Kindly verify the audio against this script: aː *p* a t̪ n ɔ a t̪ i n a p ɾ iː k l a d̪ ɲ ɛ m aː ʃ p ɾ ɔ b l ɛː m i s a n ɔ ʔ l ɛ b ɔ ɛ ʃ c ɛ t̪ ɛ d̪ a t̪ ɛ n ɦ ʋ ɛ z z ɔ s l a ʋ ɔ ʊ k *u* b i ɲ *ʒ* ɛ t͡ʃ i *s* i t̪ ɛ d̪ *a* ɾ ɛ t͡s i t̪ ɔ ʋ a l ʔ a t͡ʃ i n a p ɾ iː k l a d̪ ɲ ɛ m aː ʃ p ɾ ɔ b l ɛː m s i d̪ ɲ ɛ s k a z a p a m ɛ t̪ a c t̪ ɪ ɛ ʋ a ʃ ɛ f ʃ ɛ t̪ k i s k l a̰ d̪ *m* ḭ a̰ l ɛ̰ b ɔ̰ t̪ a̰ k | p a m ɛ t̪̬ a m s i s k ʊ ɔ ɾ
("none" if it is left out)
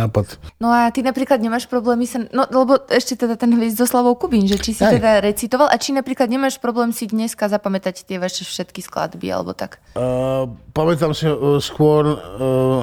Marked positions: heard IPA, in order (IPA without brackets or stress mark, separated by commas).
p, u, ʒ, s, a, b